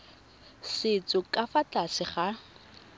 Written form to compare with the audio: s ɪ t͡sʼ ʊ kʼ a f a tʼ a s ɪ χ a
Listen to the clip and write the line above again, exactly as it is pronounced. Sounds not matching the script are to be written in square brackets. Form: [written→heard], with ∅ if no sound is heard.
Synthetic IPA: s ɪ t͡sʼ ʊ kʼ a f a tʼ a s ɪ χ a